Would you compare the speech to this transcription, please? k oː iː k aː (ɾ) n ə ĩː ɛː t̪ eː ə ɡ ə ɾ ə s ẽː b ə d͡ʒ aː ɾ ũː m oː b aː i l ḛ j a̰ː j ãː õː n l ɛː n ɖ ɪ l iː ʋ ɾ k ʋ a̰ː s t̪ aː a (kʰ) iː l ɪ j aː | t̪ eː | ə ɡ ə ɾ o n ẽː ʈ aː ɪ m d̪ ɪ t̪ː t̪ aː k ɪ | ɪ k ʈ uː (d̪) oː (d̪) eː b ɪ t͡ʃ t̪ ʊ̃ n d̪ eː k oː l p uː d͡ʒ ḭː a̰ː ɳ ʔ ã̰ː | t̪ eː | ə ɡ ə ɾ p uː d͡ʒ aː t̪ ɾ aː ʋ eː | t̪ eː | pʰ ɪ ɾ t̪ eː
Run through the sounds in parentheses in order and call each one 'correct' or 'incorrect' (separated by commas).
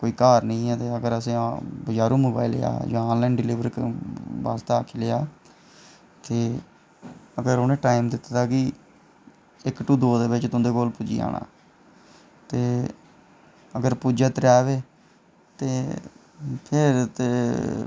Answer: correct, correct, correct, correct